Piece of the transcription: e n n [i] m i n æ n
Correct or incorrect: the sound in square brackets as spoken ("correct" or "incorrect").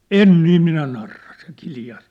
incorrect